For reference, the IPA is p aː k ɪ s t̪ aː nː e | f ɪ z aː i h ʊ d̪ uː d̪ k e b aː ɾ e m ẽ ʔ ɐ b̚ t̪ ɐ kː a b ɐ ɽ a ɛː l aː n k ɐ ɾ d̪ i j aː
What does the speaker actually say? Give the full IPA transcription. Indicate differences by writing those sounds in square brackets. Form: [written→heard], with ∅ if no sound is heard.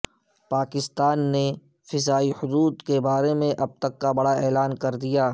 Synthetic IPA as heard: p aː k ɪ s t̪ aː nː e | f ɪ z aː i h ʊ d̪ uː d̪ k e b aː ɾ e m ẽ ʔ ɐ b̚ t̪ ɐ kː a b ɐ ɽ a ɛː l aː n k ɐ ɾ d̪ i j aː